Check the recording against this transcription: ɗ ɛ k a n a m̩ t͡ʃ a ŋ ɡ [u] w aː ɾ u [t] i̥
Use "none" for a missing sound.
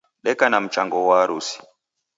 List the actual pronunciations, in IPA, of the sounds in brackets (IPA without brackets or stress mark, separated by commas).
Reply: ɔ, s